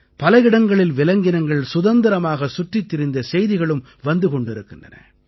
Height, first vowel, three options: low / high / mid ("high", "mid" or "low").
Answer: low